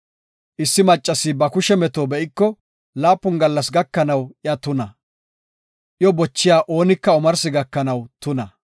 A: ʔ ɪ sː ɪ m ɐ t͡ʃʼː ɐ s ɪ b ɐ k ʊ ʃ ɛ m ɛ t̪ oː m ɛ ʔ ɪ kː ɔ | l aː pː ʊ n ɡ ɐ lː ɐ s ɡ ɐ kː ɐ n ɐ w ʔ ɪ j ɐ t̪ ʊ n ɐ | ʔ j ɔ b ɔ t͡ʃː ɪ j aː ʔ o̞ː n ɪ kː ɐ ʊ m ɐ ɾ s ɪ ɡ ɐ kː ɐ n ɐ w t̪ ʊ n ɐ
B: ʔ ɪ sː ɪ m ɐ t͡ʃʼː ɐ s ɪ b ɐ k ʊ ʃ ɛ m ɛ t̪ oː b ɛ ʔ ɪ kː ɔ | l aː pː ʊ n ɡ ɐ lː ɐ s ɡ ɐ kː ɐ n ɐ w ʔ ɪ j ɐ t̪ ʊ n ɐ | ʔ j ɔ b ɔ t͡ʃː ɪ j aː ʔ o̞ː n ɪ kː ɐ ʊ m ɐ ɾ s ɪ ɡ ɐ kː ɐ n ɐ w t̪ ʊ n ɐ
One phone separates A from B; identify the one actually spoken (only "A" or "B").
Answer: B